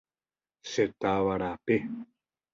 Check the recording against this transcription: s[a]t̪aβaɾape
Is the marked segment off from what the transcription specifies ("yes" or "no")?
yes